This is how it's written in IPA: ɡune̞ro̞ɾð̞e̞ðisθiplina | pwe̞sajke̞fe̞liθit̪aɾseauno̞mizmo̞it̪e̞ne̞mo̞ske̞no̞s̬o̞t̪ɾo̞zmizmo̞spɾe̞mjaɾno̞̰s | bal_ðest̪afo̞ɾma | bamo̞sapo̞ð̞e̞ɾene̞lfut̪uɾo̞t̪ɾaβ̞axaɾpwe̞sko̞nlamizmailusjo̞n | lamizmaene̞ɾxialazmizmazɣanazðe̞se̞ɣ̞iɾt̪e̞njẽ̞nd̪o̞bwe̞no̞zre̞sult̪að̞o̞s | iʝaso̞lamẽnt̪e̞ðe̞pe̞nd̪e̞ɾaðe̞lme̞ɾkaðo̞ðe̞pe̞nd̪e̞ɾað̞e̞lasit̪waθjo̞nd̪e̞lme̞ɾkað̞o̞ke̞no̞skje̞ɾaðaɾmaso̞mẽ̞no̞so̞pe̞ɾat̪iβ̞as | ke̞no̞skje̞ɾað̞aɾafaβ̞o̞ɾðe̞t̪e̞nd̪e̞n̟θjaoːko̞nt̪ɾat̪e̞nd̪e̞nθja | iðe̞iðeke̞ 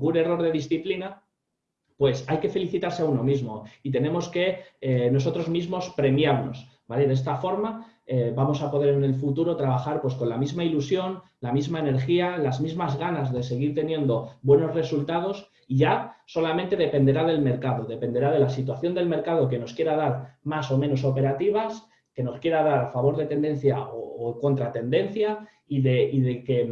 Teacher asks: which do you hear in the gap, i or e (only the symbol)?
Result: e